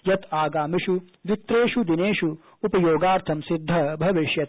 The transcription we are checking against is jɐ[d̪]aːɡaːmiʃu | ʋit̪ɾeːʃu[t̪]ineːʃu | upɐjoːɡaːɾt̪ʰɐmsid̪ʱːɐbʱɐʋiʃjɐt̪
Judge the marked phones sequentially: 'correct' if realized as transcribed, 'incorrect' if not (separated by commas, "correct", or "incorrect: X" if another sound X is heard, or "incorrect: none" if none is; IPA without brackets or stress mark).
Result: incorrect: t̪, incorrect: d̪